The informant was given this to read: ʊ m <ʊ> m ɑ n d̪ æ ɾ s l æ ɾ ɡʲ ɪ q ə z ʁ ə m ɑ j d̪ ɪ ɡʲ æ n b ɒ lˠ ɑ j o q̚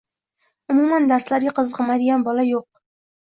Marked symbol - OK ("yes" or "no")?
no